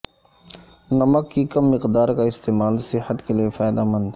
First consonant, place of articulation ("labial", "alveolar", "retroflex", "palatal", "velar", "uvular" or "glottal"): alveolar